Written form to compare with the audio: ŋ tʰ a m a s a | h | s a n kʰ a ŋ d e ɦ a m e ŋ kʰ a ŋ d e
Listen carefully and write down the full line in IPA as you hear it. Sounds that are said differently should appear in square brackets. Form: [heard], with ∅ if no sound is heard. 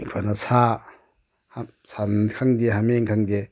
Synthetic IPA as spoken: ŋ [kʰ] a [n] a s a | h | s a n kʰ a ŋ d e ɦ a m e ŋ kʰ a ŋ d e